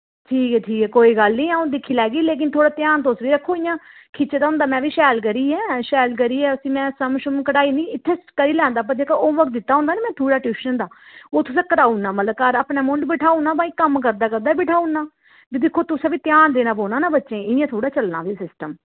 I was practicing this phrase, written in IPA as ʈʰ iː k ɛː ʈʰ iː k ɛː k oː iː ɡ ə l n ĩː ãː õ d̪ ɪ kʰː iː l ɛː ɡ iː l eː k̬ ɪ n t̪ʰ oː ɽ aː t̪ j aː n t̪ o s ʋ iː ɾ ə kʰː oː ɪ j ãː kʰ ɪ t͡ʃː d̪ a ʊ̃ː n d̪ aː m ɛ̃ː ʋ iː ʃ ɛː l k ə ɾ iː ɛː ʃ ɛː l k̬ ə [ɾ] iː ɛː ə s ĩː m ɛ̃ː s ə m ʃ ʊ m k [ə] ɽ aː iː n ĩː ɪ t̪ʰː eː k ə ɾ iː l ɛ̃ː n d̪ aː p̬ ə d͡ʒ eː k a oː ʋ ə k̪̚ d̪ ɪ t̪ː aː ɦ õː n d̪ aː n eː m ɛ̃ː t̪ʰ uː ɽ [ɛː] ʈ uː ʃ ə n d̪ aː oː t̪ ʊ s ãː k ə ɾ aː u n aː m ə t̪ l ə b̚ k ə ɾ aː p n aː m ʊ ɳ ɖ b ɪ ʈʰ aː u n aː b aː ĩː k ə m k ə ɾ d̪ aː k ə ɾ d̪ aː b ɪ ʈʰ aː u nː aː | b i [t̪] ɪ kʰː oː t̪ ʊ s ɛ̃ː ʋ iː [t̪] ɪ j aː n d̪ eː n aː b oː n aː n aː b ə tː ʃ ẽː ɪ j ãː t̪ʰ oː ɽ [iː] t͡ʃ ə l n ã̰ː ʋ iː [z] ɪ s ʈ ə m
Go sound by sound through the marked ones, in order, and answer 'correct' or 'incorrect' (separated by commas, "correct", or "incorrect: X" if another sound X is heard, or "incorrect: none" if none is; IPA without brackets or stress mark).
correct, correct, incorrect: aː, incorrect: d̪, correct, incorrect: aː, incorrect: s